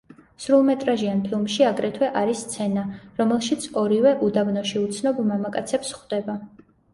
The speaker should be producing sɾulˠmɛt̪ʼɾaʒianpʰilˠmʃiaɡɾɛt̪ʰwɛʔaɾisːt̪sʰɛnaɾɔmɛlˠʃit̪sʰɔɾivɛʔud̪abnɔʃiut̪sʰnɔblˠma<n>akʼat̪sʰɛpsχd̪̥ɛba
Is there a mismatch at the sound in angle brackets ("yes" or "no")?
yes